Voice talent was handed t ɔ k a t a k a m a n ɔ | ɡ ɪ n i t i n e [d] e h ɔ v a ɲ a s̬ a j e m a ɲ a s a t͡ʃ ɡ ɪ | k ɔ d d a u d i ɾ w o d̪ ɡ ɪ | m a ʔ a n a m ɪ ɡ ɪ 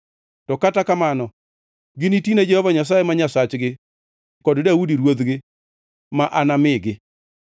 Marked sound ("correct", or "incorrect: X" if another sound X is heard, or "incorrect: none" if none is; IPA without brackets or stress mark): incorrect: d͡ʒ